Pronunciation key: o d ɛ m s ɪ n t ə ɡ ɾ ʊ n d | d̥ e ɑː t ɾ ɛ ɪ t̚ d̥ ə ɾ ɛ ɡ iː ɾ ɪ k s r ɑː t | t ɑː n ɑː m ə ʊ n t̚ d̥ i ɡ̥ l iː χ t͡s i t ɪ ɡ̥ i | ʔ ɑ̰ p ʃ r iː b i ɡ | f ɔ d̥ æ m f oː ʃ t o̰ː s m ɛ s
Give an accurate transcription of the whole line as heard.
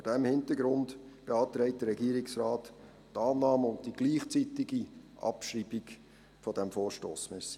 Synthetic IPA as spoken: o d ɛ m h ɪ n t ə ɡ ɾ ʊ n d | b̥ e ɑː t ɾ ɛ ɪ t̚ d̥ ə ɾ ɛ ɡ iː ɾ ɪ k s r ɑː t | t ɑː n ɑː m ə ʊ n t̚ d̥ i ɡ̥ l iː χ t͡s i t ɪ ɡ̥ i | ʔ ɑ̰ p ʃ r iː b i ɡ | f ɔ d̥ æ m f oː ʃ t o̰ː s m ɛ s